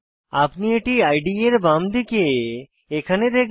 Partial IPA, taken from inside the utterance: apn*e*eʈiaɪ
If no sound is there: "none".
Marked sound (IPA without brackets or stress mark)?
i